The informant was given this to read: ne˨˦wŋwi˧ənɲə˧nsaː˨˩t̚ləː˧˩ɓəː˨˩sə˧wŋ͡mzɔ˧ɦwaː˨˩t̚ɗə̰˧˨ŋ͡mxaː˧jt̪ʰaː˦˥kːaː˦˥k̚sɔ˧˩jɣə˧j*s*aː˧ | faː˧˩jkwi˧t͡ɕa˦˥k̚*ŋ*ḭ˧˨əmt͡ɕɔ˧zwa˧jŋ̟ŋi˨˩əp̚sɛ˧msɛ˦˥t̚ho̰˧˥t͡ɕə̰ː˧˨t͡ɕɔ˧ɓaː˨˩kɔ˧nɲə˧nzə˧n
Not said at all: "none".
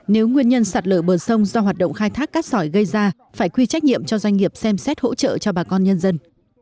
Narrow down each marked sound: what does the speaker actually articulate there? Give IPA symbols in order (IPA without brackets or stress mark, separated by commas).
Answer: z, ɲ